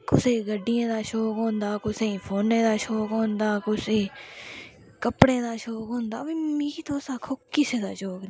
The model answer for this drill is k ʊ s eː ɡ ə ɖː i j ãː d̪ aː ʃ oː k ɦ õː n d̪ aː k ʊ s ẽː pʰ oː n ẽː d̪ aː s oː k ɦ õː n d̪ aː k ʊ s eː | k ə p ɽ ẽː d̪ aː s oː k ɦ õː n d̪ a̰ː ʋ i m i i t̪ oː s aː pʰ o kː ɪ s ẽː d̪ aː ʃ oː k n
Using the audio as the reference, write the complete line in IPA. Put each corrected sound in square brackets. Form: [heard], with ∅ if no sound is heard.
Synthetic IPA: k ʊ s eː ɡ ə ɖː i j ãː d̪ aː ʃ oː k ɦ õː n d̪ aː k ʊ s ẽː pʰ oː n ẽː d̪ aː [ʃ] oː k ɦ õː n d̪ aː k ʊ s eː | k ə p ɽ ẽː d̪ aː [ʃ] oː k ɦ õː n d̪ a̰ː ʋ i m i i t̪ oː s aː [kʰ] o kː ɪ s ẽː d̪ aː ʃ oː k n